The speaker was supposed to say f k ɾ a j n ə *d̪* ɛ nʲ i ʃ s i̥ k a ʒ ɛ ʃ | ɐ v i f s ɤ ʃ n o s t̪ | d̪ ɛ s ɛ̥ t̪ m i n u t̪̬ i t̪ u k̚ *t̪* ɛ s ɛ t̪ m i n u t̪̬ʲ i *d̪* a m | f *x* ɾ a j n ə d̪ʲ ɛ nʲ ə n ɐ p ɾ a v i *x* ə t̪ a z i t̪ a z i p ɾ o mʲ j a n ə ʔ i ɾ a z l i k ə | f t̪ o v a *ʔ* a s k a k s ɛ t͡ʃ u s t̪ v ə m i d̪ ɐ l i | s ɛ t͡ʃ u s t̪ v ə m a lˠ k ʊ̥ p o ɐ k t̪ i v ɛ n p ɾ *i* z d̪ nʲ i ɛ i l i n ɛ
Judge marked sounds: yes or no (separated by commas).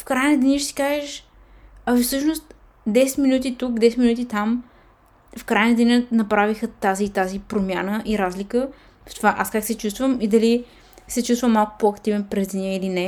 yes, no, no, no, yes, yes, no